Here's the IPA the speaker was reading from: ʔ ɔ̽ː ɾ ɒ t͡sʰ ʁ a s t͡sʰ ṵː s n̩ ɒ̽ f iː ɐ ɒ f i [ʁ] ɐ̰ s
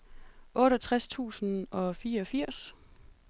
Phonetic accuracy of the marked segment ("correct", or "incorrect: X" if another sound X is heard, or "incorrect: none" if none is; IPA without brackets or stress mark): incorrect: none